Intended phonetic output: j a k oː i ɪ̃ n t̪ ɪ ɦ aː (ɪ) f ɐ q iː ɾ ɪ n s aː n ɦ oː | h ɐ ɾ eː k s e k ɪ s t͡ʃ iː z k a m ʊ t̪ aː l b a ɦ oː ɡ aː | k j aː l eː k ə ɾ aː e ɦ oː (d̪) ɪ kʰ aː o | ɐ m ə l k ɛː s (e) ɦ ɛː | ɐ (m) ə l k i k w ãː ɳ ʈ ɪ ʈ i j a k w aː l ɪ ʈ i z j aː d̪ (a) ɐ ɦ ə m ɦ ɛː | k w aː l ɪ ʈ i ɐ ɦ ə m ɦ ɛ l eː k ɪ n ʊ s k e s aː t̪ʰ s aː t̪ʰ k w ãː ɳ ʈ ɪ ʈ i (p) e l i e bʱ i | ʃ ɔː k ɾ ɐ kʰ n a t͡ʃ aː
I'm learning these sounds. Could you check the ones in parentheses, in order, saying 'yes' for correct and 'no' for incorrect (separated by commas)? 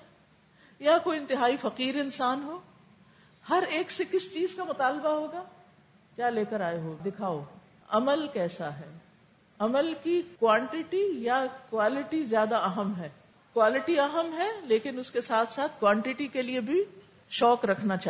no, yes, no, yes, yes, no